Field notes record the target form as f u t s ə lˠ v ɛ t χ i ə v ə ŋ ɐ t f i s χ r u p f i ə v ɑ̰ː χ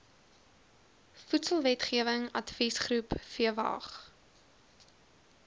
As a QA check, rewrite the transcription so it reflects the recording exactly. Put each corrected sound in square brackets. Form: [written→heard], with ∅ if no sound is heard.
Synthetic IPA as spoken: f u t s ə lˠ v ɛ t χ i ə v ə ŋ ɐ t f i s χ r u p f i ə v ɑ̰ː χ